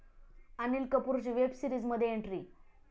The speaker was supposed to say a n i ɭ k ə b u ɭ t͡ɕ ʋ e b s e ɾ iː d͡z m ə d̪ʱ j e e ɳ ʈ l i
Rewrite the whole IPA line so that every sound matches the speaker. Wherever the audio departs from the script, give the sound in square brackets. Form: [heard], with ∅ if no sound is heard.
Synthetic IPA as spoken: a n i [l] k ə [p] u [ɾ] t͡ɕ ʋ e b s [i] ɾ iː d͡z m ə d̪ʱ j e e ɳ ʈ [ɾ] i